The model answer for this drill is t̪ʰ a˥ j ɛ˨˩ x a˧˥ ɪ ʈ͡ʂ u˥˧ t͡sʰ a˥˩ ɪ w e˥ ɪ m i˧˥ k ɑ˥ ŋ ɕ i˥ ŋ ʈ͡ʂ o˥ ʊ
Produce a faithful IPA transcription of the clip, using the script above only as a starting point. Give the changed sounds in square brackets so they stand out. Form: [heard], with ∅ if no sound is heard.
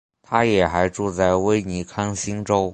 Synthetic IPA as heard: t̪ʰ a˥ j ɛ˨˩ x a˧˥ ɪ ʈ͡ʂ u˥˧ [t͡s] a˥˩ ɪ w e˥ ɪ [n] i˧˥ [kʰ] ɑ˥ ŋ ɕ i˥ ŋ ʈ͡ʂ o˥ ʊ

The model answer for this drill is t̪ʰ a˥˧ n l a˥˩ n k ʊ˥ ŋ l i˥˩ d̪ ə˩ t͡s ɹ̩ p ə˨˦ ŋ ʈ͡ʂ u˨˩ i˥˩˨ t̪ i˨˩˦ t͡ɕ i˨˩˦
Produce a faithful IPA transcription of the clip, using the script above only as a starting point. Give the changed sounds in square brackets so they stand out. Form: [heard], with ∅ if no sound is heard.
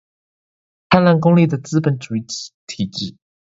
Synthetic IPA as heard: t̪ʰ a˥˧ n l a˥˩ n k ʊ˥ ŋ l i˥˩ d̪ ə˩ t͡s ɹ̩ p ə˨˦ [n] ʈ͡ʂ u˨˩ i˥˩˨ [t̪ʰ] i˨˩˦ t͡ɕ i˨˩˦

